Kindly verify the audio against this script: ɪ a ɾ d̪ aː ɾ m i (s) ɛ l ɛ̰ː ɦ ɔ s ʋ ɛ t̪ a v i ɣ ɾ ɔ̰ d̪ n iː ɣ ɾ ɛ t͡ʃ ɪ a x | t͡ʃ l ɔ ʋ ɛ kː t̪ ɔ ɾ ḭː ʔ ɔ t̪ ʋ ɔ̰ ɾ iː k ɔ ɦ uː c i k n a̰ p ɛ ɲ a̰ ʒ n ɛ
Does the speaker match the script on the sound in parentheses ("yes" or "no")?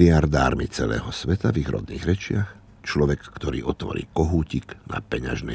no